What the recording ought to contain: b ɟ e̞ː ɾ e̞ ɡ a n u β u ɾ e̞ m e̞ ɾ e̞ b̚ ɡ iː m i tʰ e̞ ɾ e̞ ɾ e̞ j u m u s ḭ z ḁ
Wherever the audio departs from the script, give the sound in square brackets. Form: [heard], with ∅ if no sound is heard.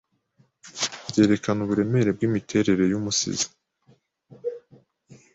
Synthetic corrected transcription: b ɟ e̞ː ɾ e̞ [k] a n u β u ɾ e̞ m e̞ ɾ e̞ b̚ ɡ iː m i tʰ e̞ ɾ e̞ ɾ e̞ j u m u s ḭ z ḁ